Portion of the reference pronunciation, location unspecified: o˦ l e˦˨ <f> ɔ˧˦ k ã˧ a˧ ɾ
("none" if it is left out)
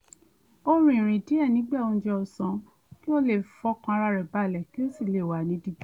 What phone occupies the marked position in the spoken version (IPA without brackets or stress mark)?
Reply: f